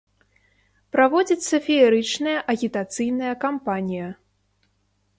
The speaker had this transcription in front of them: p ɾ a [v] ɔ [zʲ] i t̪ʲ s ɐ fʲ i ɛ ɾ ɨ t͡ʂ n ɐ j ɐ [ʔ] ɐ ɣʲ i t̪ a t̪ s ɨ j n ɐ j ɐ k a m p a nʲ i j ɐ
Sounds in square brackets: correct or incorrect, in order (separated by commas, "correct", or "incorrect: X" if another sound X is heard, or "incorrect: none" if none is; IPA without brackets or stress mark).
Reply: correct, incorrect: d͡zʲ, correct